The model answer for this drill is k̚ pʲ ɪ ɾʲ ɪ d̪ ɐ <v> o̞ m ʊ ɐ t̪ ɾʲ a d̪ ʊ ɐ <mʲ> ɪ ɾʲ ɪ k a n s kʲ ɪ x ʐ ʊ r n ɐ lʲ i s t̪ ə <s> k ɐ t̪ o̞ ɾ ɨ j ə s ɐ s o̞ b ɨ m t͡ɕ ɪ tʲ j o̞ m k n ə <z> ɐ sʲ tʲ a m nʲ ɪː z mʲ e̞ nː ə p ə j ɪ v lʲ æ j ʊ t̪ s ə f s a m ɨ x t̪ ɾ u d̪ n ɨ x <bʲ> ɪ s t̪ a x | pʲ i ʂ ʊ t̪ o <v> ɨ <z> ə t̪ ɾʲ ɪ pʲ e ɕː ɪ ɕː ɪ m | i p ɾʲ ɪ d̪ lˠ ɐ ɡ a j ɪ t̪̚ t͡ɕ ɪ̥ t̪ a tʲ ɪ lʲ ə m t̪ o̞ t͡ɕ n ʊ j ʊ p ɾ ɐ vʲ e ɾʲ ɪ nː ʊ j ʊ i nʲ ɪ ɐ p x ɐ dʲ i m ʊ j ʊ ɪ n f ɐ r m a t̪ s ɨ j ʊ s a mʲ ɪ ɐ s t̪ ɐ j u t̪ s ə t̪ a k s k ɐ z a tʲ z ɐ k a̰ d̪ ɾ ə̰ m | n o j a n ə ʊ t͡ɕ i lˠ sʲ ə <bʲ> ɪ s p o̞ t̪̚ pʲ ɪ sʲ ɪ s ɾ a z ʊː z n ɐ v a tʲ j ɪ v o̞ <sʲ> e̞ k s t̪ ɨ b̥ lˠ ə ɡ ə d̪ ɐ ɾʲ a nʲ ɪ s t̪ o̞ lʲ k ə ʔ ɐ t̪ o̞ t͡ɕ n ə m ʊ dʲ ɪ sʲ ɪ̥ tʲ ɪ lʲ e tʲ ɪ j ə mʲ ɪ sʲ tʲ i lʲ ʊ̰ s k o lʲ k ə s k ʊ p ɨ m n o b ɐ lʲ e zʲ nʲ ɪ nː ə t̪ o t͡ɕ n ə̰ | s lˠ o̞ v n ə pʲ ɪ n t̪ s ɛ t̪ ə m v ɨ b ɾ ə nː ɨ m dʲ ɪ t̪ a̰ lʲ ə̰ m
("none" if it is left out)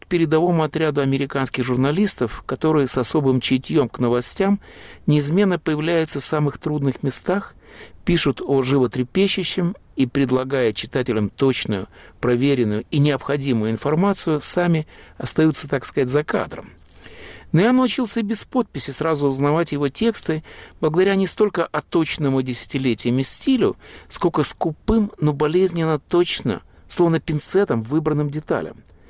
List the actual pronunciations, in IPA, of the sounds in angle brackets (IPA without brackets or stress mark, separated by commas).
v, mʲ, f, v, mʲ, ʐ, v, bʲ, tʲ